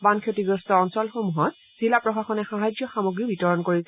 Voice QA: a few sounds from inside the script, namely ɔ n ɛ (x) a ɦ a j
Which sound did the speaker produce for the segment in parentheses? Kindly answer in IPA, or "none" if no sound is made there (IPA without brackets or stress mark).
x